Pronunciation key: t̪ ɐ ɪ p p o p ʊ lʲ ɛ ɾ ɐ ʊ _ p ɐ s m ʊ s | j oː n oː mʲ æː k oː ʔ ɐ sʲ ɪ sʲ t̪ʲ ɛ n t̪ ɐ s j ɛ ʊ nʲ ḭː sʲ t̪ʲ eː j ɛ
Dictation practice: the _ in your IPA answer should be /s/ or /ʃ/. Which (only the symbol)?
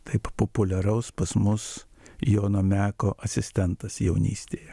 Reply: s